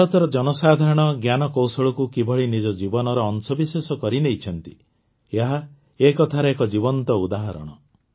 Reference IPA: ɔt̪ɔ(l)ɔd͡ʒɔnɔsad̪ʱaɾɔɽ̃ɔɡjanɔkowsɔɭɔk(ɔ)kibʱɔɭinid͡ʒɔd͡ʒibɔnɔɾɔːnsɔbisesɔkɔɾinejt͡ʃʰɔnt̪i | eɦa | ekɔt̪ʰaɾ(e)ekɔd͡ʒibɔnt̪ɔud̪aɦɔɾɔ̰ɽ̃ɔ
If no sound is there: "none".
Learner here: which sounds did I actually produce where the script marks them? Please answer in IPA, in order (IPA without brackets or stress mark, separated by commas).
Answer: ɾ, u, e